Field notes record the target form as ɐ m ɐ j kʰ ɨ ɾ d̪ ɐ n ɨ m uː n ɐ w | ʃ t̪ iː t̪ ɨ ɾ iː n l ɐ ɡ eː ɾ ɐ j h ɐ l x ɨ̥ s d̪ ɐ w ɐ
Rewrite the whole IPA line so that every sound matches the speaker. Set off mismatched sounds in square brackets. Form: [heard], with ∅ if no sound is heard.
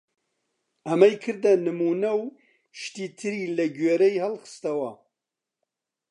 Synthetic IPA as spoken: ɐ m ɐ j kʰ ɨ ɾ d̪ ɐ n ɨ m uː n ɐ w | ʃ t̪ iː [t̪ʰ] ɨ ɾ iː [∅] l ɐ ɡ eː ɾ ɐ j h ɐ l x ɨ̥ s [t̪] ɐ w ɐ